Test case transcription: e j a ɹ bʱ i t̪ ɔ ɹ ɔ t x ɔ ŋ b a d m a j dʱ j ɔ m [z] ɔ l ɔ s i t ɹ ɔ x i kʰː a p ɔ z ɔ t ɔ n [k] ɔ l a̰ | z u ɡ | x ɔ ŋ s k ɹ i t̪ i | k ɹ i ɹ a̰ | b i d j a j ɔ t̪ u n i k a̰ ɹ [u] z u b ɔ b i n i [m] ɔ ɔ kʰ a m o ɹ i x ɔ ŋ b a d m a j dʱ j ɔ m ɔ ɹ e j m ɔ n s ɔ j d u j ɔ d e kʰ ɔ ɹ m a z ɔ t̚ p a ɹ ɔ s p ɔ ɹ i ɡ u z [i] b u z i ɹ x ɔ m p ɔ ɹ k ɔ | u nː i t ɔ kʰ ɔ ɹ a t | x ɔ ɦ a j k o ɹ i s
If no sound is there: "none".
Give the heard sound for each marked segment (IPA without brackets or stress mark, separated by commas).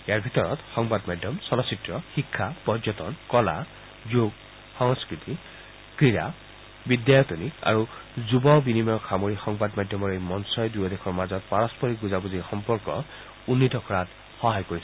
s, k, u, m, a